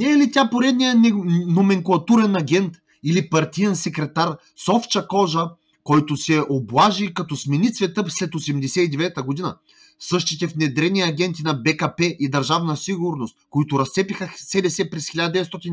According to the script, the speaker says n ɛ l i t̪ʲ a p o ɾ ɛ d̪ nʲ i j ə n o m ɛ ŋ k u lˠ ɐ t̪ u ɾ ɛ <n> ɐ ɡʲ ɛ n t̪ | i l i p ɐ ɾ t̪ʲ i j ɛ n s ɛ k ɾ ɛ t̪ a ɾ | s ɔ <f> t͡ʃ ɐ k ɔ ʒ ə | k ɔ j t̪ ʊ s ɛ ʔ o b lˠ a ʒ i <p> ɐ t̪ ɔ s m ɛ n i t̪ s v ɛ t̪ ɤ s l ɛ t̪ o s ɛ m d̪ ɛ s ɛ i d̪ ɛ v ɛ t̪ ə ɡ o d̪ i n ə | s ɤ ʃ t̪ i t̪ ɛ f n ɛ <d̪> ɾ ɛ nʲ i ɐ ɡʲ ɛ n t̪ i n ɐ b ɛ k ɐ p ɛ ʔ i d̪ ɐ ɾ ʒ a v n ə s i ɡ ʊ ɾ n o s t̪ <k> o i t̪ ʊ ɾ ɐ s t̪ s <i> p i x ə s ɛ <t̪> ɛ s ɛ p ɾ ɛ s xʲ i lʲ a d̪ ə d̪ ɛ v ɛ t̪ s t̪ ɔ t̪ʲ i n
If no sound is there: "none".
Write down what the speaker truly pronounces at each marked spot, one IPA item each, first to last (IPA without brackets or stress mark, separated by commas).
n, f, k, d̪, k, ɛ, d̪